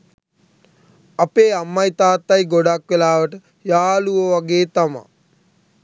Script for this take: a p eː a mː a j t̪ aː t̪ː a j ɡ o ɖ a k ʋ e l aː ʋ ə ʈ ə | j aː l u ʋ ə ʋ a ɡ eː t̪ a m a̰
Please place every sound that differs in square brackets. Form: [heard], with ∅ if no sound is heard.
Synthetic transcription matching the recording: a p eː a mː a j t̪ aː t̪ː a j ɡ o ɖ a k ʋ e l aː ʋ ə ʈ ə | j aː l u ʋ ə ʋ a ɡ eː t̪ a m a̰

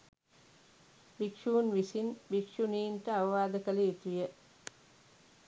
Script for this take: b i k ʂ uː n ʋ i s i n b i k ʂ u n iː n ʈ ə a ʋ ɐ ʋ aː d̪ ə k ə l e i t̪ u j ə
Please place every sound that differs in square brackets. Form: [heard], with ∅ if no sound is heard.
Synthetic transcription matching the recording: b i k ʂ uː n ʋ i s i n b i k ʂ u n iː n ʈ ə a ʋ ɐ ʋ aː d̪ ə k ə l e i t̪ u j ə

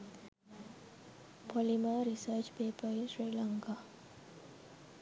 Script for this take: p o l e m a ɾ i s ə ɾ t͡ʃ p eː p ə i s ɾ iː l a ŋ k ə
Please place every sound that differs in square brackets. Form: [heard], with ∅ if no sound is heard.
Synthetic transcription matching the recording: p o l [i] m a ɾ i s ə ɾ t͡ʃ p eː p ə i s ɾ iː l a ŋ k [a]

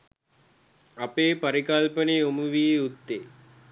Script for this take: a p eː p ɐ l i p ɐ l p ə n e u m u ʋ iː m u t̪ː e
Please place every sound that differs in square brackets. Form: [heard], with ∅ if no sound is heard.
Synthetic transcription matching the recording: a p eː p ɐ [ɾ] i [k] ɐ l p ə n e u m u ʋ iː [∅] u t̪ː e

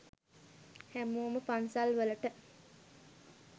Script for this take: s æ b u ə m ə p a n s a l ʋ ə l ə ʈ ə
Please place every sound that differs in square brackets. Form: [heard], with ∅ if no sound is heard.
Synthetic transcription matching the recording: [h] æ [m] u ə m ə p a n s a l ʋ ə l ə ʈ ə

